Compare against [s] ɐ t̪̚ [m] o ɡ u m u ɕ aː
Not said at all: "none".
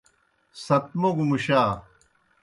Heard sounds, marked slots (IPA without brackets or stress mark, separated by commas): s, m